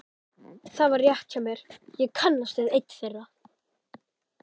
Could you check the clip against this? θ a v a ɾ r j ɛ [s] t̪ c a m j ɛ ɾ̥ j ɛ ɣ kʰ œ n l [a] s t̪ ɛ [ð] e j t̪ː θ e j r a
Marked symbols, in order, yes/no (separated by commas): no, yes, yes